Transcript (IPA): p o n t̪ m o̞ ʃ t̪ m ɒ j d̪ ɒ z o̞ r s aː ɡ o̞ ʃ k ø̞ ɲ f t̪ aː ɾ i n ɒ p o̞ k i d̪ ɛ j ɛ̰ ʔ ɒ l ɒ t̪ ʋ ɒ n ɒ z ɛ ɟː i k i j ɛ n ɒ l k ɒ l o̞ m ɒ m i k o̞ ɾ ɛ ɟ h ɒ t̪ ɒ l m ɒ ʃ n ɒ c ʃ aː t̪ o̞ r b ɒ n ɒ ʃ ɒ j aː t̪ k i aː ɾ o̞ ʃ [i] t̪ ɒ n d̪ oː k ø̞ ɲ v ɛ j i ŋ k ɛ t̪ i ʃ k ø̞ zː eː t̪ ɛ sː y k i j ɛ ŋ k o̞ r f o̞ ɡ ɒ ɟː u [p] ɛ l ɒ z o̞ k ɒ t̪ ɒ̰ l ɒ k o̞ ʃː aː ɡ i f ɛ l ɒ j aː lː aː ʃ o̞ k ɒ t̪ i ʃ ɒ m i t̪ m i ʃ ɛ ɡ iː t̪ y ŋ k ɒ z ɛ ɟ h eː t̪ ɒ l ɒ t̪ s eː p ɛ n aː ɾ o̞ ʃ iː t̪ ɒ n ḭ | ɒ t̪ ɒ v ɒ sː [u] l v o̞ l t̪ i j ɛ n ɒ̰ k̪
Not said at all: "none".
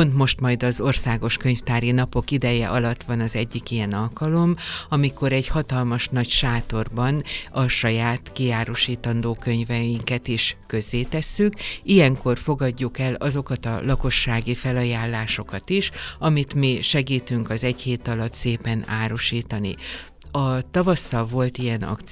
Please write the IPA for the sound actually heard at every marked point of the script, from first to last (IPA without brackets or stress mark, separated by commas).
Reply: iː, k, ɒ